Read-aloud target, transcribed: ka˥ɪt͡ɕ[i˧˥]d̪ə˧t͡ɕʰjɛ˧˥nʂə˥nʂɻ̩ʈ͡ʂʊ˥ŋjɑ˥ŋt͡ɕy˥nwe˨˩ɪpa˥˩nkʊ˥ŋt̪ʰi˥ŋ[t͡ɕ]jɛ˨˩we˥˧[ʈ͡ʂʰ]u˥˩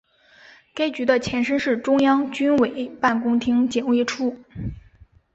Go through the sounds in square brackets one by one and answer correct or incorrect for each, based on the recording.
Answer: incorrect: y˧˥, correct, correct

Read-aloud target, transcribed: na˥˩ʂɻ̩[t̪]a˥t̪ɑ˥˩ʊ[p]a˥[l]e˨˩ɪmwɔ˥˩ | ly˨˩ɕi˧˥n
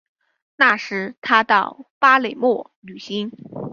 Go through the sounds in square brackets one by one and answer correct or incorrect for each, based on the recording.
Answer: incorrect: t̪ʰ, correct, correct

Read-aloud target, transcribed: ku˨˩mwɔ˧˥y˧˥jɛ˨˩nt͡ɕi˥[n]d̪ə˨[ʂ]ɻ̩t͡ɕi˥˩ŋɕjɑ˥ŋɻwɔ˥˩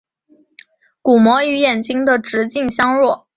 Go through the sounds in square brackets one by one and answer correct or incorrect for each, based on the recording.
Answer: incorrect: ŋ, incorrect: ʈ͡ʂ

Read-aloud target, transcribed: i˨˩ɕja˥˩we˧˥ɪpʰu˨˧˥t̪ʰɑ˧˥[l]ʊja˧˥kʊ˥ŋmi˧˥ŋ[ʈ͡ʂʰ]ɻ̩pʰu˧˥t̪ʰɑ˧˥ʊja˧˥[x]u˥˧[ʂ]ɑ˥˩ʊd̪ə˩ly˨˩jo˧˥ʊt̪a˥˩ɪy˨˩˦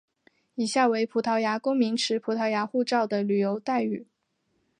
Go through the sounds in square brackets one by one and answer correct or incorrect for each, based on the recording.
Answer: incorrect: none, correct, correct, incorrect: ʈ͡ʂ

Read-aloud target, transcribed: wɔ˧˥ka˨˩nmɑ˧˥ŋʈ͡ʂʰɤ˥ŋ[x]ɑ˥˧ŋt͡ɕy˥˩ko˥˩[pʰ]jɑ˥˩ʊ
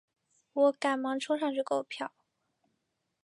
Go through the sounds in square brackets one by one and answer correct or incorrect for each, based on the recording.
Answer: incorrect: ʂ, correct

